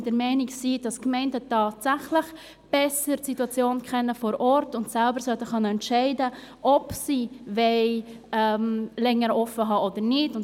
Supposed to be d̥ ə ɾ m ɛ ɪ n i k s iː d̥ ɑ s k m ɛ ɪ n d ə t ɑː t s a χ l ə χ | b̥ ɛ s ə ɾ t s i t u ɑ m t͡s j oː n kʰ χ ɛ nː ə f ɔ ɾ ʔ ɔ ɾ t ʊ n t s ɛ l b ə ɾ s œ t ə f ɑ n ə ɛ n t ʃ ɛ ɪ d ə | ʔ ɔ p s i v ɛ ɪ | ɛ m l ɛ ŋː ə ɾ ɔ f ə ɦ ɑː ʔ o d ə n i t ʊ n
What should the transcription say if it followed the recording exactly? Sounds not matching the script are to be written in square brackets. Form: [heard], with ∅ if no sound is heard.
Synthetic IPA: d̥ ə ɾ m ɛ ɪ n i k s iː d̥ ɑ s k m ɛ ɪ n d ə t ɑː t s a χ l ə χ | b̥ ɛ s ə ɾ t s i t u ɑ [∅] t͡s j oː n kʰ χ ɛ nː ə f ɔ ɾ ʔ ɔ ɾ t ʊ n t s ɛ l b ə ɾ s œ t ə [χ] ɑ n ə ɛ n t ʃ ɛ ɪ d ə | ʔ ɔ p s i v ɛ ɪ | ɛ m l ɛ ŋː ə ɾ ɔ f ə ɦ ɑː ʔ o d ə n [ɪ] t ʊ n